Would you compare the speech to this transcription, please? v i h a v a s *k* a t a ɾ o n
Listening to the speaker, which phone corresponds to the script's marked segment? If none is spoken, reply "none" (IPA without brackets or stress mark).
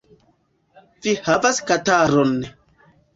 k